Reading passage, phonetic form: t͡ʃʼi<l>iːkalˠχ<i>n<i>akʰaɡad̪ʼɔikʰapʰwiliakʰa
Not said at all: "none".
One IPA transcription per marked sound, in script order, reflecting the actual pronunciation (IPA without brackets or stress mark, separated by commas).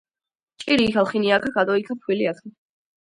ɾ, i, i